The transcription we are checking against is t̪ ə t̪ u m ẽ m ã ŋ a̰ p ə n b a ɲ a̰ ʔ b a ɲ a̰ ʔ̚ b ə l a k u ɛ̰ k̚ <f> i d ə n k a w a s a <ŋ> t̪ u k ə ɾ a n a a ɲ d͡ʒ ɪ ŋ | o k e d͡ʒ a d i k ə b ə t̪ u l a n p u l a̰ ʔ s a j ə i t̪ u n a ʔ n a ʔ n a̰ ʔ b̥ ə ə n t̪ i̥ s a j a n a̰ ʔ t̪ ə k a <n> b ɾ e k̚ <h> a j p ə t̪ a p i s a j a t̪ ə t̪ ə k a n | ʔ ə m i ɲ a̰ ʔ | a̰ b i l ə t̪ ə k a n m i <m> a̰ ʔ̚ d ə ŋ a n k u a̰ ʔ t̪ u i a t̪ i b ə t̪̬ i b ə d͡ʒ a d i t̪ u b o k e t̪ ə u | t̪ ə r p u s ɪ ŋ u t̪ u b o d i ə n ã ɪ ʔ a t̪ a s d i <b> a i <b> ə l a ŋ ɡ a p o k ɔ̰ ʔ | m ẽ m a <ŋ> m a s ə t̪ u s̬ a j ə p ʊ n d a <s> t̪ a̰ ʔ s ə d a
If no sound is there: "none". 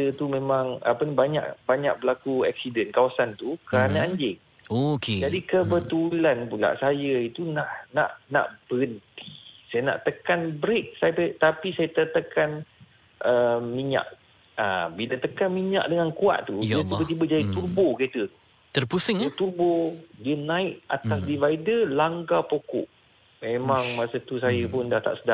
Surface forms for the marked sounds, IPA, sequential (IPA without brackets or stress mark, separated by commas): s, n, n, s, ɲ, v, d, ŋ, h